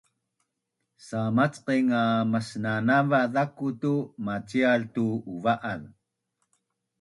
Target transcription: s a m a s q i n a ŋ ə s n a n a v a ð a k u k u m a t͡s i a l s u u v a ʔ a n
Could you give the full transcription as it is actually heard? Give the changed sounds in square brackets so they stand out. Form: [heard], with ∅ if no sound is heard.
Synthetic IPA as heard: s a m a [t͡s] q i [ŋ] a [m] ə s n a n a v a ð a k u [t] u m a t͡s i a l [t] u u v a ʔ a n